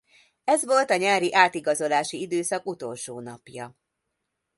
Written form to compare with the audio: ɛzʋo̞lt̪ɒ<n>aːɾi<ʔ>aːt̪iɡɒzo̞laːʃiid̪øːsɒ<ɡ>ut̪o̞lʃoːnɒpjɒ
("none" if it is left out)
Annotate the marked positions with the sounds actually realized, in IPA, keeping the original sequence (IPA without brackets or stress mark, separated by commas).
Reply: ɲ, ʔ, k